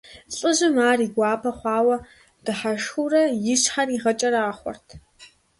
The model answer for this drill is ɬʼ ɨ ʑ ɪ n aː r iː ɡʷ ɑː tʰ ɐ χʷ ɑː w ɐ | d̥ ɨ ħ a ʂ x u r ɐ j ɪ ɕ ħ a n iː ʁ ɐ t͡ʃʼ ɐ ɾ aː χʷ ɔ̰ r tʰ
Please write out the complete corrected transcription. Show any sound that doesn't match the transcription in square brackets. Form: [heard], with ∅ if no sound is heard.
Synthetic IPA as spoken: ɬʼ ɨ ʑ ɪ [m] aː r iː ɡʷ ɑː [pʰ] ɐ χʷ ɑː w ɐ | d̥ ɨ ħ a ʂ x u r ɐ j ɪ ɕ ħ a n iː ʁ ɐ t͡ʃʼ ɐ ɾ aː χʷ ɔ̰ r tʰ